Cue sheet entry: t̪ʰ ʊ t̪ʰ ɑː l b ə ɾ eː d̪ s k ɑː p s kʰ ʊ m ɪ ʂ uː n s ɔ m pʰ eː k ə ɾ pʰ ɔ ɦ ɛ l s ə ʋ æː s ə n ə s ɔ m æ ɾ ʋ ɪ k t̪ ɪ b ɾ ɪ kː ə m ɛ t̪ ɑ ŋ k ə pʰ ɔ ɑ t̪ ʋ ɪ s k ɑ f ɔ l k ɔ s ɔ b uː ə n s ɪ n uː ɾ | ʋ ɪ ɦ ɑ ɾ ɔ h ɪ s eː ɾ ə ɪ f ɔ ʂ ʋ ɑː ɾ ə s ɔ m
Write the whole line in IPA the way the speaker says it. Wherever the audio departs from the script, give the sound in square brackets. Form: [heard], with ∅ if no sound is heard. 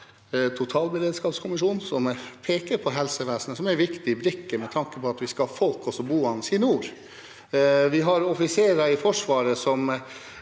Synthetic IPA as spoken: t̪ʰ ʊ t̪ʰ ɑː l b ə ɾ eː d̪ s k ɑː p s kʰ ʊ m ɪ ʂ uː n s ɔ m pʰ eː k ə ɾ pʰ ɔ ɦ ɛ l s ə ʋ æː s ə n ə s ɔ m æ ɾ ʋ ɪ k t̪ ɪ b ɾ ɪ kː ə m ɛ [t̪ʰ] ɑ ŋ k ə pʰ ɔ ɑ t̪ ʋ ɪ s k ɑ f ɔ l k ɔ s ɔ b uː [ɑ] n s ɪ n uː ɾ | ʋ ɪ ɦ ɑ ɾ ɔ [f] ɪ s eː ɾ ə ɪ f ɔ ʂ ʋ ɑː ɾ ə s ɔ m